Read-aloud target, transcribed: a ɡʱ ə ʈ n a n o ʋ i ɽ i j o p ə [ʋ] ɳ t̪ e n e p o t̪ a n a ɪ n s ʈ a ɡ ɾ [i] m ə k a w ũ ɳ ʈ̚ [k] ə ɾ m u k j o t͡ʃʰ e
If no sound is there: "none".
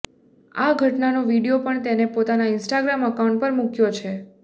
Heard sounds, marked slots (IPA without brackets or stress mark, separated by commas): none, a, p